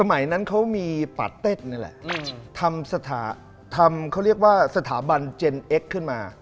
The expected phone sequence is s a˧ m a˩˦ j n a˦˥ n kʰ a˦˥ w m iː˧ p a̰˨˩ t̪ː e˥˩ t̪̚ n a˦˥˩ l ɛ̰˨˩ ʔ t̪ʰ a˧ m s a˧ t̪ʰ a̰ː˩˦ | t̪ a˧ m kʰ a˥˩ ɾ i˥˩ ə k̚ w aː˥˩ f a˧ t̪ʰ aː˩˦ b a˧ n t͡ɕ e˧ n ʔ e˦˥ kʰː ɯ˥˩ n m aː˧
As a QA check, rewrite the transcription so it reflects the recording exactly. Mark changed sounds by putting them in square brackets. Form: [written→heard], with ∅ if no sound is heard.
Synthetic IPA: s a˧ m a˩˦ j n a˦˥ n kʰ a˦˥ w m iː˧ p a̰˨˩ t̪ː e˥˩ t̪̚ n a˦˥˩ l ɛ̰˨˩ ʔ t̪ʰ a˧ m s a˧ t̪ʰ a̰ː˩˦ | [t̪→t̪ʰ] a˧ m kʰ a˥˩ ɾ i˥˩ ə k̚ w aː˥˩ [f→s] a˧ t̪ʰ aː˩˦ b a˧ n t͡ɕ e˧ n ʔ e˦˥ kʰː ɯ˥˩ n m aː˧